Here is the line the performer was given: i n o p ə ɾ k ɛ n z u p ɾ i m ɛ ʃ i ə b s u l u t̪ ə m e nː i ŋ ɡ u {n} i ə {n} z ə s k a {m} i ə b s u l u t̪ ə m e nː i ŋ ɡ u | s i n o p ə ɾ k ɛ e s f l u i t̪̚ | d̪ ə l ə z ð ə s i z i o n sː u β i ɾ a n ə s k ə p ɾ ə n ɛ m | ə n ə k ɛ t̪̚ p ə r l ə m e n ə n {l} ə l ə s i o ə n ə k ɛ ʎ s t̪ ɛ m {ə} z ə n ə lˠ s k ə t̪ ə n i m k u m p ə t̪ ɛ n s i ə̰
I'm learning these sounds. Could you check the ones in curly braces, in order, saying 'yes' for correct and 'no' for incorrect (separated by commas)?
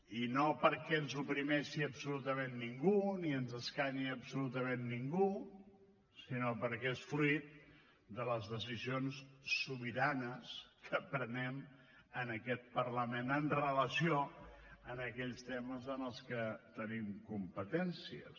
yes, yes, no, no, yes